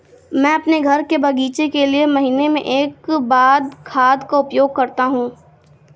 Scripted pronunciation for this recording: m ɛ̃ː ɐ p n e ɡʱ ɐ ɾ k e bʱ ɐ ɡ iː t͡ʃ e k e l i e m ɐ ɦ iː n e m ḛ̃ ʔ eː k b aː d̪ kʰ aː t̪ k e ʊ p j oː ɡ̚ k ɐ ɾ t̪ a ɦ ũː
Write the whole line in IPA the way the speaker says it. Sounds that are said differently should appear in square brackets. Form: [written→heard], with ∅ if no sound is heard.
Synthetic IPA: m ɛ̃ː ɐ p n e ɡʱ ɐ ɾ k e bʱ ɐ ɡ iː t͡ʃ e k e l i e m ɐ ɦ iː n e m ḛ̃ ʔ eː k b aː d̪ kʰ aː [t̪→d̪] k [e→a] ʊ p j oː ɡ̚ k ɐ ɾ t̪ a ɦ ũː